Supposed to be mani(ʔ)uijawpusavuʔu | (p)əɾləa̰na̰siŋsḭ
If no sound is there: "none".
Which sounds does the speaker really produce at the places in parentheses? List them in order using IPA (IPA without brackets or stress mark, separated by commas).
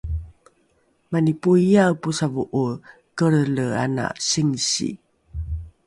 p, k